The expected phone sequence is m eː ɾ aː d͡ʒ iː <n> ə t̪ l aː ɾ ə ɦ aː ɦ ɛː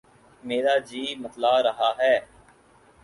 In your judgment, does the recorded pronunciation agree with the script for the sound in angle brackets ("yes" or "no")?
no